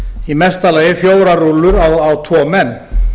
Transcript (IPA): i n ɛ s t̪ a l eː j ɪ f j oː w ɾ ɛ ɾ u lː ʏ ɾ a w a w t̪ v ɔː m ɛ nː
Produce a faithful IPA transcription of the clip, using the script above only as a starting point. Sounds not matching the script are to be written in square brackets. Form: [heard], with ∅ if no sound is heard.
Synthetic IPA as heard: i [m] ɛ s t̪ a l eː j ɪ f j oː w ɾ [a] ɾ u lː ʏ ɾ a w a w [t̪ʰ] v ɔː m ɛ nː